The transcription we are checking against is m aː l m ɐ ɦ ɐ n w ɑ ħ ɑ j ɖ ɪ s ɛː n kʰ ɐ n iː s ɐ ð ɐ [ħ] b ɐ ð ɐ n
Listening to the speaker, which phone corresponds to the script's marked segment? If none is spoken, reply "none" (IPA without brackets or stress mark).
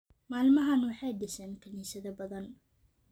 none